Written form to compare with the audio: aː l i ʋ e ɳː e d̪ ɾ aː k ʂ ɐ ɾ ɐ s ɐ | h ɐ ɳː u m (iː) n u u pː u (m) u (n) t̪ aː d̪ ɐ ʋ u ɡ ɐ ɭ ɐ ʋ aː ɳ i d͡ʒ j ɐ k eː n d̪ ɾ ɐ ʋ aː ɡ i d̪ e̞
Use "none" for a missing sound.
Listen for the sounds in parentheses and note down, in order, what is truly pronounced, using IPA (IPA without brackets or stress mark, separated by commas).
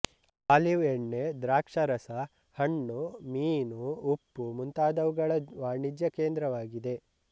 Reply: iː, m, n